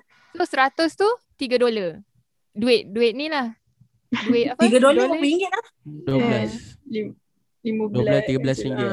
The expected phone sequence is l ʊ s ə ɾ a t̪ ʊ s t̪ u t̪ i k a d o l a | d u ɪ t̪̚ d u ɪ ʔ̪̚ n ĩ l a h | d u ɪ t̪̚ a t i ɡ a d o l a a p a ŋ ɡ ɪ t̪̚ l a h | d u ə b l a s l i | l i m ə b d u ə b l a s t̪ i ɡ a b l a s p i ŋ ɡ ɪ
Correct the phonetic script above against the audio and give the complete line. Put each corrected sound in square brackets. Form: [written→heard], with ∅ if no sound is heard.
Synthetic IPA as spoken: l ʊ s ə ɾ a t̪ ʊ s t̪ u t̪ i [k→ɡ] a d o l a | d u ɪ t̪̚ d u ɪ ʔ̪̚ n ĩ l a h | d u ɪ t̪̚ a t i ɡ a d o l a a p [a→i] ŋ ɡ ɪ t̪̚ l a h | d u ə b l a s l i | l i m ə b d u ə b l a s t̪ i ɡ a b l a s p i ŋ ɡ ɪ